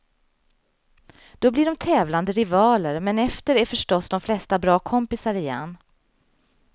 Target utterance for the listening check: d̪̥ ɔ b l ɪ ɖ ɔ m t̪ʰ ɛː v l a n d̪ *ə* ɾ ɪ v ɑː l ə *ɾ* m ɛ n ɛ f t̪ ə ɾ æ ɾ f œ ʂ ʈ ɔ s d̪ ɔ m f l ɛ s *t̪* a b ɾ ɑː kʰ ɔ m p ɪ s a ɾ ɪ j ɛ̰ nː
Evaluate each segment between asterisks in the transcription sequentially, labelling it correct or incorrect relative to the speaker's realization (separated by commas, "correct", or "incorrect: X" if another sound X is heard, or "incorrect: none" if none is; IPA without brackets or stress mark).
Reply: correct, correct, correct